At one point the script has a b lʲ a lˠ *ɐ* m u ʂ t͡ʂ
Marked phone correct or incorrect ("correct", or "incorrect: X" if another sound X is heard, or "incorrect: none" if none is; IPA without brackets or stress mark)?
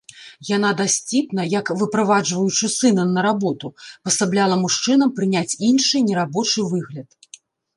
correct